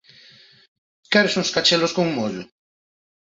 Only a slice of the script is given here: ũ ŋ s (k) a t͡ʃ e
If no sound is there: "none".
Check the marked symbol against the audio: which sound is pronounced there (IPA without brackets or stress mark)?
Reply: k